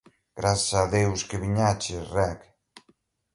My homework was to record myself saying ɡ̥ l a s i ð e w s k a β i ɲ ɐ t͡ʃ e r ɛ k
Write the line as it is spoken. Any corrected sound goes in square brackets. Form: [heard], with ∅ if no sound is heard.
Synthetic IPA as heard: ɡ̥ [ɾ] a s [a] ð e w s k [e] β i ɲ [a] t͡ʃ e r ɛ k

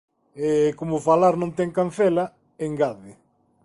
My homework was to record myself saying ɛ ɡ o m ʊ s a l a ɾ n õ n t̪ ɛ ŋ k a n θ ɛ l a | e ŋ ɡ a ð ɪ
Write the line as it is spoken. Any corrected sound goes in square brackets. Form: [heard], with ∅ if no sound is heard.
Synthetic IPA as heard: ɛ [k] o m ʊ [f] a l a ɾ n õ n t̪ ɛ ŋ k a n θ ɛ l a | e ŋ ɡ a ð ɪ

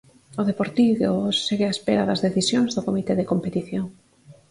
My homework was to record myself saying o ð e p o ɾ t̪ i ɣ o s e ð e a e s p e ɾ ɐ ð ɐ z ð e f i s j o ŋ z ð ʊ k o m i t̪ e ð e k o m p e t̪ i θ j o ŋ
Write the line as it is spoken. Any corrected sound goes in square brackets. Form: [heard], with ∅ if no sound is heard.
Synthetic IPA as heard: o ð e p o ɾ t̪ i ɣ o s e [ɣ] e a e s p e ɾ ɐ ð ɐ z ð e [θ] i s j o ŋ z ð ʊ k o m i t̪ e ð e k o m p e t̪ i θ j o ŋ

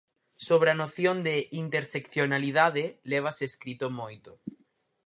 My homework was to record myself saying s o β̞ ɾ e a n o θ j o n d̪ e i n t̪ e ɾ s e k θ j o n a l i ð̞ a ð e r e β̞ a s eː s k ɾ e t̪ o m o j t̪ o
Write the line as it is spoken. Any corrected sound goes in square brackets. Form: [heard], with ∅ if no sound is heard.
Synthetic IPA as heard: s o β̞ ɾ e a n o θ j o n d̪ e i n t̪ e ɾ s e k θ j o n a l i ð̞ a ð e [l] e β̞ a s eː s k ɾ [i] t̪ o m o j t̪ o

